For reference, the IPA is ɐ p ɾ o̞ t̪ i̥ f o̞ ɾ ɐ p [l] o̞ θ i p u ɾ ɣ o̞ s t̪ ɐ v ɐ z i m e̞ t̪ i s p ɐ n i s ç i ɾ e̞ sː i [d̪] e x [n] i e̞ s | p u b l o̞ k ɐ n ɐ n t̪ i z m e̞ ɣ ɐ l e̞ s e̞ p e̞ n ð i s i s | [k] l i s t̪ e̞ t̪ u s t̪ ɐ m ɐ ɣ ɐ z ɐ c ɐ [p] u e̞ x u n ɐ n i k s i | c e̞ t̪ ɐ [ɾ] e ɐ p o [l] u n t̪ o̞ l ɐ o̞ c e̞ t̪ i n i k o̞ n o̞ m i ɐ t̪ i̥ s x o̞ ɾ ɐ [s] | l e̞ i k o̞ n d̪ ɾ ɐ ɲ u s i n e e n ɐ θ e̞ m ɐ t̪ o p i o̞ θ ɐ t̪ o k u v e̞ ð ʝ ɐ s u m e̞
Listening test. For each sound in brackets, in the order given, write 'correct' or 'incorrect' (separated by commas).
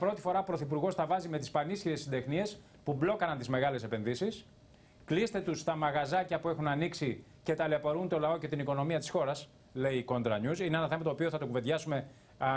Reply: incorrect, correct, correct, correct, correct, incorrect, incorrect, correct